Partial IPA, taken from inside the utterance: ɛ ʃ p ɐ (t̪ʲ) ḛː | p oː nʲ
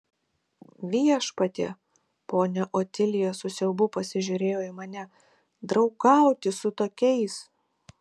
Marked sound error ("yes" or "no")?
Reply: no